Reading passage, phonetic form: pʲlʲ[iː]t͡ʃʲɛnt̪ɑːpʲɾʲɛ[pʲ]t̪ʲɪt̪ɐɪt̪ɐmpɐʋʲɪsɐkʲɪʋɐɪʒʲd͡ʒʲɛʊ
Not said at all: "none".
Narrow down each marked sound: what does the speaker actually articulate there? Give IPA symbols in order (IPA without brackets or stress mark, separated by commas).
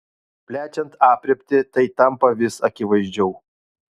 æː, pʲ